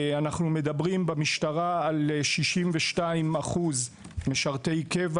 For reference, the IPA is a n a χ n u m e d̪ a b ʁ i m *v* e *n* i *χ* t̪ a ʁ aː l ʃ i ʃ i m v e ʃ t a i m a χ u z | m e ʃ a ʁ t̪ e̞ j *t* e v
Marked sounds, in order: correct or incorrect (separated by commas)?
incorrect, incorrect, incorrect, incorrect